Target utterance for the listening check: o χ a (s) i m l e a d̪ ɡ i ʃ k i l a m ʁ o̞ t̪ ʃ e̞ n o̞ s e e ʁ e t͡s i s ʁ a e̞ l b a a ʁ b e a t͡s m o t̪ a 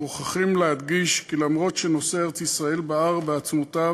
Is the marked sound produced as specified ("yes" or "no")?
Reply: no